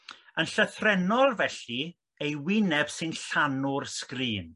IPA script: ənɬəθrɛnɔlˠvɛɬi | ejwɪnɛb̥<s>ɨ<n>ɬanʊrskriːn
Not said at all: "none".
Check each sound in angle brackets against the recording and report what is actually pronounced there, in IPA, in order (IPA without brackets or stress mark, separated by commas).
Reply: s, n